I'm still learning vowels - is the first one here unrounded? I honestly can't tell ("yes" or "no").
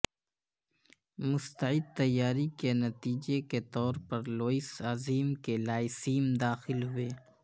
no